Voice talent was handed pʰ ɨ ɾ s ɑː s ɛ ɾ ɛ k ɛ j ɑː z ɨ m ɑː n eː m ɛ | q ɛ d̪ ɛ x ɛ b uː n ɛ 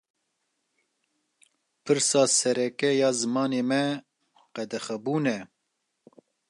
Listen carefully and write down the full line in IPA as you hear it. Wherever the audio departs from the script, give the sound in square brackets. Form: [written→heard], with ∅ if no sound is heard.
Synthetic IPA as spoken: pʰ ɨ ɾ s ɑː s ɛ ɾ ɛ k ɛ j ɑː z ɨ m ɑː n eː m ɛ | q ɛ d̪ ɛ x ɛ b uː n ɛ